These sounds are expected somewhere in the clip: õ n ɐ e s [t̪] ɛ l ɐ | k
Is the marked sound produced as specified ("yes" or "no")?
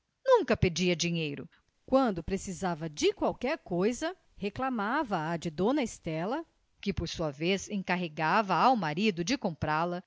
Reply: yes